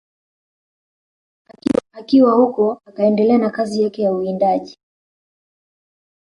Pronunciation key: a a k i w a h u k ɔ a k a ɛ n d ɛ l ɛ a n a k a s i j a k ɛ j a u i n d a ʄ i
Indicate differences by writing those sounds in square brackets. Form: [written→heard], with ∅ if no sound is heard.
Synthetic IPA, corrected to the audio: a a k i w a h u k ɔ a k a ɛ n d ɛ l ɛ a n a k a [s→z] i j a k ɛ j a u i n d a ʄ i